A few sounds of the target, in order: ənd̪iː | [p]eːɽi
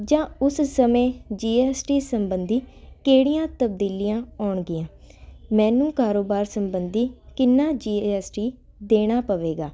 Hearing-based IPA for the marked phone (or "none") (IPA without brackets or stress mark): k